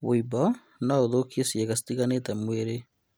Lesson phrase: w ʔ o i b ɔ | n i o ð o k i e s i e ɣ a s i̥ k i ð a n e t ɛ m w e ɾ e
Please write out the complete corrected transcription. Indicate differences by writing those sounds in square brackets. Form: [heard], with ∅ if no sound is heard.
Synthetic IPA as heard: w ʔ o i b ɔ | n [a] o ð o k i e s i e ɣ a s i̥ [t] i [ɣ] a n e t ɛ m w e ɾ e